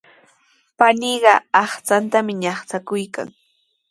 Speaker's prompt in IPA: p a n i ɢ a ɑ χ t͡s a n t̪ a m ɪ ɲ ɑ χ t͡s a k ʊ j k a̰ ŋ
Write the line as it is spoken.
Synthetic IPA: p a n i ɢ ɑ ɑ χ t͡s a n t̪ a m ɪ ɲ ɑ χ t͡s a k ʊ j k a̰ ŋ